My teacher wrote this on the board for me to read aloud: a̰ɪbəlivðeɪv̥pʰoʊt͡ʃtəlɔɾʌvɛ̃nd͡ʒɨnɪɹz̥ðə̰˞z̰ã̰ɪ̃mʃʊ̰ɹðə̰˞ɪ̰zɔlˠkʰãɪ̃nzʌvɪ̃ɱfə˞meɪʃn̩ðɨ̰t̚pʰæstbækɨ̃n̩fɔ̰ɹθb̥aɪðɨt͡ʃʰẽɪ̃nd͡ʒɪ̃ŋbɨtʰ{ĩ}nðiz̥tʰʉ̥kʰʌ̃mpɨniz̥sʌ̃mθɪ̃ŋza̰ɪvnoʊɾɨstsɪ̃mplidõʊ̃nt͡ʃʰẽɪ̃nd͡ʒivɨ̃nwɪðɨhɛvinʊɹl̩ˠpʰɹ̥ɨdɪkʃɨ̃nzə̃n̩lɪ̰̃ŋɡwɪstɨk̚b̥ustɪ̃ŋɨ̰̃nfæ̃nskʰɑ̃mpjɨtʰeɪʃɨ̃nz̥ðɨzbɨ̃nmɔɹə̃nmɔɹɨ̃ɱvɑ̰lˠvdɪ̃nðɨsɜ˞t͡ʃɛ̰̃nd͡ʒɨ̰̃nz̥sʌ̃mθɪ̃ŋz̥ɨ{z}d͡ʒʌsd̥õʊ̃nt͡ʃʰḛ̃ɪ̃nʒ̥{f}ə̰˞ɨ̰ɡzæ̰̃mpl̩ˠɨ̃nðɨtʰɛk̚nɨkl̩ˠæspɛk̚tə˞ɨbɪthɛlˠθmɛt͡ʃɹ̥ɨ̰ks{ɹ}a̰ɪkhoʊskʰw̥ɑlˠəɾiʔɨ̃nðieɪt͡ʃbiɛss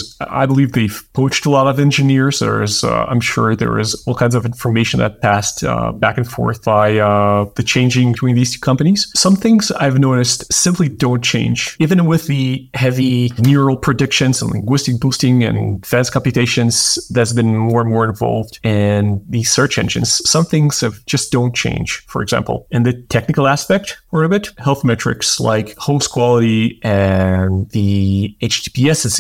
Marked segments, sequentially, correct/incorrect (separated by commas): correct, incorrect, correct, incorrect